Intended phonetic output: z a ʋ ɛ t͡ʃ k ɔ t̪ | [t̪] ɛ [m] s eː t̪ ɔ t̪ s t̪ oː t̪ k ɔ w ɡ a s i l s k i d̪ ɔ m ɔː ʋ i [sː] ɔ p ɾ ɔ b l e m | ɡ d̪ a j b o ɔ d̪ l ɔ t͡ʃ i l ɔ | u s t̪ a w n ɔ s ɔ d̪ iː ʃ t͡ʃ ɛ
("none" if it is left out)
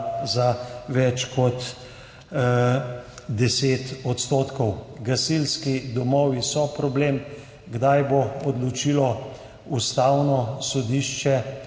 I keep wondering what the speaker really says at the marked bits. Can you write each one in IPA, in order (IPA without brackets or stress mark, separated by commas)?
d̪, none, s